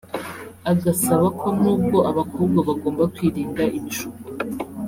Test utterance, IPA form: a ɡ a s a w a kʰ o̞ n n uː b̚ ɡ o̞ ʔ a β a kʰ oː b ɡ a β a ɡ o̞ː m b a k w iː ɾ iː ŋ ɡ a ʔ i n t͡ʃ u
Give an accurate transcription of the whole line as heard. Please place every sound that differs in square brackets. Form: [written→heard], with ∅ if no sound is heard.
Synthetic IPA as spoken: a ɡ a s a [w→β] a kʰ o̞ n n uː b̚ ɡ o̞ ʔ a β a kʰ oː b ɡ a β a ɡ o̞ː m b a k w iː ɾ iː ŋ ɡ a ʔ i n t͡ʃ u